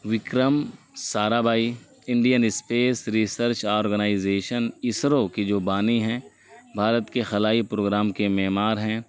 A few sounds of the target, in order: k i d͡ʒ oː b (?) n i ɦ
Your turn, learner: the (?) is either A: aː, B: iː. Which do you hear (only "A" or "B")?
A